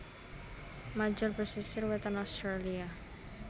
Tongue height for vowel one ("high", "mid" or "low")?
low